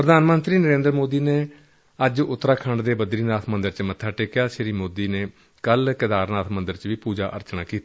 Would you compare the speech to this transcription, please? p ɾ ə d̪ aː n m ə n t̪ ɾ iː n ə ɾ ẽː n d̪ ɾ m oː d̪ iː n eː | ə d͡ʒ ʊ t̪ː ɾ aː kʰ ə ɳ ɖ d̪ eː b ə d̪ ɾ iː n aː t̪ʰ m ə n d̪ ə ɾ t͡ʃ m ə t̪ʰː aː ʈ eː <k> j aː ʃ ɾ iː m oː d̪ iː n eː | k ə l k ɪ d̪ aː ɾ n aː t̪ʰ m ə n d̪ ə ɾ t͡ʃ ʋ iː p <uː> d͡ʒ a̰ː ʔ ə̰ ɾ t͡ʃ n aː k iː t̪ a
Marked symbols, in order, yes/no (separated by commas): yes, yes